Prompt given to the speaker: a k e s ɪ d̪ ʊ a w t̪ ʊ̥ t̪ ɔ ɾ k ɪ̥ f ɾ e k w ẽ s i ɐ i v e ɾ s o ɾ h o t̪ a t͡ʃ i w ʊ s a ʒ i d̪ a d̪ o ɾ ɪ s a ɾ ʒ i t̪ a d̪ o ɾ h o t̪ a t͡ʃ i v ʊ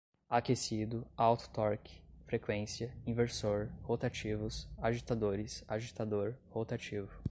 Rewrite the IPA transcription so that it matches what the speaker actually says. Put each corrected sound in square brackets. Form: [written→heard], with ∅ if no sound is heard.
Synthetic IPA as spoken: a k e s [ɪ→i] d̪ ʊ a w t̪ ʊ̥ t̪ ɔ ɾ k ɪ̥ f ɾ e k w ẽ s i ɐ [i→ĩ] v e ɾ s o ɾ h o t̪ a t͡ʃ i [w→v] ʊ s a ʒ i [d̪→t̪] a d̪ o ɾ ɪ s a [ɾ→∅] ʒ i t̪ a d̪ o ɾ h o t̪ a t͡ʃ i v ʊ

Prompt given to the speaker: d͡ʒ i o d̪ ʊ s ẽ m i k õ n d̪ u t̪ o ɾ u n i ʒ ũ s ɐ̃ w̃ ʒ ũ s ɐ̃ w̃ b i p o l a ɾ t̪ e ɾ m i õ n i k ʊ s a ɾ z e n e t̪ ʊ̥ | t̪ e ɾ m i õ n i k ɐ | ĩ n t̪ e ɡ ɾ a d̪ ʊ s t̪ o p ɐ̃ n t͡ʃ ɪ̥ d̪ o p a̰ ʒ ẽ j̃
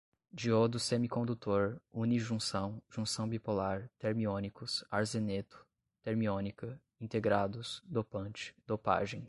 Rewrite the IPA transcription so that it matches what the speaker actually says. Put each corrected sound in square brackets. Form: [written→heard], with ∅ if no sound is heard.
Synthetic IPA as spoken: d͡ʒ i o d̪ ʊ s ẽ m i k õ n d̪ u t̪ o ɾ u n i ʒ ũ s ɐ̃ w̃ ʒ ũ s ɐ̃ w̃ b i p o l a ɾ t̪ e ɾ m i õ n i k ʊ s a ɾ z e n e t̪ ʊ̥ | t̪ e ɾ m i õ n i k ɐ | ĩ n t̪ e ɡ ɾ a d̪ ʊ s [t̪→d̪] o p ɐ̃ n t͡ʃ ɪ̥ d̪ o p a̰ ʒ ẽ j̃

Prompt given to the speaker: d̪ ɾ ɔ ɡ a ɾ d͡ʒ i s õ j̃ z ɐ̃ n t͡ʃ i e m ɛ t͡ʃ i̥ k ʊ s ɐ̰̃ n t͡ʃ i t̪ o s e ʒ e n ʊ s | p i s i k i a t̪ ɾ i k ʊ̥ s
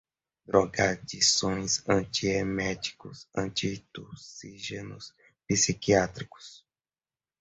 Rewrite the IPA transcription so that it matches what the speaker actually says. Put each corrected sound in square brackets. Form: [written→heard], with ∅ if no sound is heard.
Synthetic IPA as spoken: d̪ ɾ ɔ ɡ a ɾ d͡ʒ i s õ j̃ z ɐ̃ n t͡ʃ i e m ɛ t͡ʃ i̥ k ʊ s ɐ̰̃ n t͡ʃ i t̪ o s [e→i] ʒ e n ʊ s | p i s i k i a t̪ ɾ i k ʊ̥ s

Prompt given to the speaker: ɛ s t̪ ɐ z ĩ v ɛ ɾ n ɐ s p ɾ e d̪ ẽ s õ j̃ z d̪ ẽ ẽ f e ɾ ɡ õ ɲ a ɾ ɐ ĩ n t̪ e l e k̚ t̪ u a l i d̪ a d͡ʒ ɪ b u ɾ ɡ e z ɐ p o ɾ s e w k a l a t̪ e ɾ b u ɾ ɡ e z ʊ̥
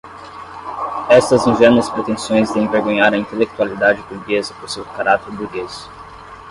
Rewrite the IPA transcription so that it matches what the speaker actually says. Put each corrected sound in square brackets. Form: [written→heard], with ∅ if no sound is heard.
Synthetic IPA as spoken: ɛ s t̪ ɐ z ĩ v ɛ ɾ n ɐ s p ɾ e [d̪→t̪] ẽ s õ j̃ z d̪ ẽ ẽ [f→v] e ɾ ɡ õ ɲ a ɾ ɐ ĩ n t̪ e l e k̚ t̪ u a l i d̪ a d͡ʒ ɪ b u ɾ ɡ e z ɐ p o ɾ s e w k a [l→ɾ] a t̪ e ɾ b u ɾ ɡ e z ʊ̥

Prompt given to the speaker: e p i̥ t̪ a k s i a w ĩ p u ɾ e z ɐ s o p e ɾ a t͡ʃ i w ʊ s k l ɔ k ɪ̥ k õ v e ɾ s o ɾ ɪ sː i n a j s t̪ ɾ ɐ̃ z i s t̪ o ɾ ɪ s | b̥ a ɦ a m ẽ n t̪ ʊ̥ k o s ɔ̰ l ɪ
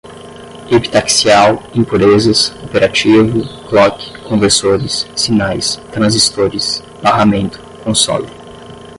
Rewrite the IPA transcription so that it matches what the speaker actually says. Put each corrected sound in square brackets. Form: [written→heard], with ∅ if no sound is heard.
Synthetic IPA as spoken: e p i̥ t̪ a k s i a w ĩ p u ɾ e z ɐ s o p e ɾ a t͡ʃ i [w→v] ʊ [s→∅] k l ɔ k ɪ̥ k õ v e ɾ s o ɾ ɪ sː i n a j s t̪ ɾ ɐ̃ z i s t̪ o ɾ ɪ s | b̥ a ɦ a m ẽ n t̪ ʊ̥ k [o→õ] s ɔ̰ l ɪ

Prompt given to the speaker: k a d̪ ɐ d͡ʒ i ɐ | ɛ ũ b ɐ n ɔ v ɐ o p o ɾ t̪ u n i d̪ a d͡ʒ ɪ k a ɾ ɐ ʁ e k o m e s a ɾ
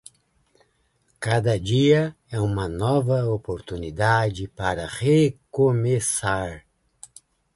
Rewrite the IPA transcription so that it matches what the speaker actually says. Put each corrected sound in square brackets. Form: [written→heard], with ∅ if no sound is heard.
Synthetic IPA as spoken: k a d̪ ɐ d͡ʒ i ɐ | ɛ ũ [b→m] ɐ n ɔ v ɐ o p o ɾ t̪ u n i d̪ a d͡ʒ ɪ [k→p] a ɾ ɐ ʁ e k o m e s a ɾ

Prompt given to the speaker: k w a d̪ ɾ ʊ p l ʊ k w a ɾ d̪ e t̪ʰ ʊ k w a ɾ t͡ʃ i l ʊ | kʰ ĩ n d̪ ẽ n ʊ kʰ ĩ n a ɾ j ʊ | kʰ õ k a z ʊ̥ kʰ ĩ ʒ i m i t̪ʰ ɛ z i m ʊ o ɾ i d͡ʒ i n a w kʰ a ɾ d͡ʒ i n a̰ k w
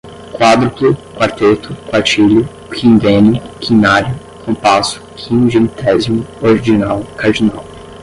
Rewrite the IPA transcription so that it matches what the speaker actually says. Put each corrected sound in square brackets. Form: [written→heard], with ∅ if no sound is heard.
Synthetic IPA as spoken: k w a d̪ ɾ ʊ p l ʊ k w a ɾ [d̪→t̪] e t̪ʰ ʊ k w a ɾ t͡ʃ i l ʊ | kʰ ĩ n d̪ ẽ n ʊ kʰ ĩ n a ɾ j ʊ | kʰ õ [k→p] a [z→s] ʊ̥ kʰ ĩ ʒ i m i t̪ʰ ɛ z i m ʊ o ɾ i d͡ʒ i n a w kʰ a ɾ d͡ʒ i n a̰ [k→∅] w

